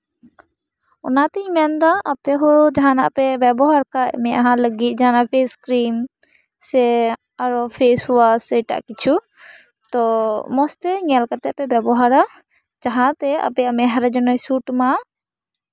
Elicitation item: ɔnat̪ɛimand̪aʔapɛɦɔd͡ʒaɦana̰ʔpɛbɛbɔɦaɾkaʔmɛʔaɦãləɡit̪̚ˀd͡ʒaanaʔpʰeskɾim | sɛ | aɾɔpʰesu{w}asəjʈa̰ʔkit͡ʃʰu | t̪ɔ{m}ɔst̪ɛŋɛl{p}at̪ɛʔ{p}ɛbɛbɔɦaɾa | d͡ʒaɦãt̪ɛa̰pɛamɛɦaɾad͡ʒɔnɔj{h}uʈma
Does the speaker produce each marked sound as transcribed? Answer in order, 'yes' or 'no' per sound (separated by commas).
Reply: yes, yes, no, yes, no